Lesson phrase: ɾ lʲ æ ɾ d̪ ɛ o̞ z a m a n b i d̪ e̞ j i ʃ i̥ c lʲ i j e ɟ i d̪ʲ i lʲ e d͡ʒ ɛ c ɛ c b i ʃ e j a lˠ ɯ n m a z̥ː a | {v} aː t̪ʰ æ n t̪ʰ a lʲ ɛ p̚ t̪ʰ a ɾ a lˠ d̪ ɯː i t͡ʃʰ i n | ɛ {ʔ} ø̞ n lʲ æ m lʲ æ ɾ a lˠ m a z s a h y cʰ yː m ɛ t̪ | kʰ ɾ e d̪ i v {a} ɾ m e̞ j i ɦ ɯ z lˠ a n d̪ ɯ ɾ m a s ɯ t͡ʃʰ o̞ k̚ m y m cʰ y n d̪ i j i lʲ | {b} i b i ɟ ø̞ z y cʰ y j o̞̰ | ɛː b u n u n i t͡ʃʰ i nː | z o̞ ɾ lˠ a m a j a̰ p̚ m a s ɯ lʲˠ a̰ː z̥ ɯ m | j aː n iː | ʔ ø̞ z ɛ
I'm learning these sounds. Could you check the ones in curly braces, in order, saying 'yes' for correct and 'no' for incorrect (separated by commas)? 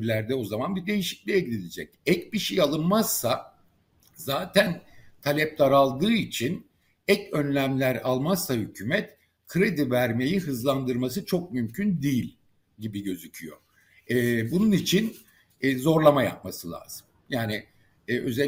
no, no, no, no